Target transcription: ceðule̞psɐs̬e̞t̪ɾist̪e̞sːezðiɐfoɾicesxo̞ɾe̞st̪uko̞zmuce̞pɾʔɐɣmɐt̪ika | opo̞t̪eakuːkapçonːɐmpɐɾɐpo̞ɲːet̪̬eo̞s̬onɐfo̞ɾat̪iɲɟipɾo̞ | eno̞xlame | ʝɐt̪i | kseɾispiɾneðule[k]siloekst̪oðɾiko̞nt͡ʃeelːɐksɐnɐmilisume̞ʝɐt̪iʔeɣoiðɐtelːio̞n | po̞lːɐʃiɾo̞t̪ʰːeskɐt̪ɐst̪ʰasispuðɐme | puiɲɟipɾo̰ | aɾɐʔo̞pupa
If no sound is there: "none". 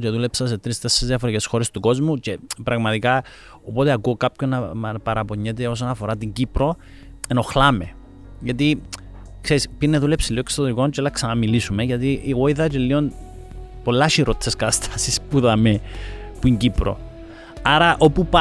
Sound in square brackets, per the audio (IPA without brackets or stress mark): p